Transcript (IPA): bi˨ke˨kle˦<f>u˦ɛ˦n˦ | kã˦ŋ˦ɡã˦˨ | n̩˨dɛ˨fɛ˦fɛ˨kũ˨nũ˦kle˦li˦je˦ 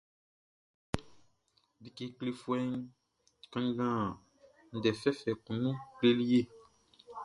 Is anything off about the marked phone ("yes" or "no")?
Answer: no